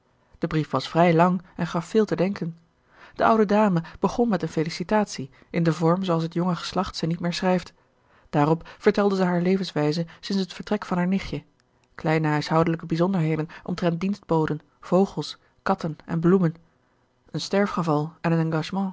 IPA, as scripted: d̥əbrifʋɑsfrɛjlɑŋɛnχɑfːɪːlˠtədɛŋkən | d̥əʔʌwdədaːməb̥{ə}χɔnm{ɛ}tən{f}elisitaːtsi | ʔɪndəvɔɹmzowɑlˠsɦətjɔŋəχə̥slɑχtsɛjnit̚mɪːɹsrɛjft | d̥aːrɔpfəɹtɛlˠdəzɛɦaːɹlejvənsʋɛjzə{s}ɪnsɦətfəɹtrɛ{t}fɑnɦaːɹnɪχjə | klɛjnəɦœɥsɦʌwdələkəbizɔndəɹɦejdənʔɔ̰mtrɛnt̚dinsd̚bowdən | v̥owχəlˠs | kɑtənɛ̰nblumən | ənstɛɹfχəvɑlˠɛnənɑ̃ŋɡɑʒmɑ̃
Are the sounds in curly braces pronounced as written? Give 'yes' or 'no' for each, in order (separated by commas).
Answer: yes, yes, yes, yes, no